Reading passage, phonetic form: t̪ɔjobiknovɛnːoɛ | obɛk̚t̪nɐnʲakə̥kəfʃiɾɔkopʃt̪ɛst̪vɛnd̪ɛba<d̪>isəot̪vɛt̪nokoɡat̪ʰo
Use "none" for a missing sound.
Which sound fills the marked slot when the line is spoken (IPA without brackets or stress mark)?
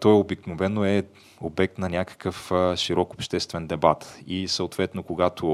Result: t̪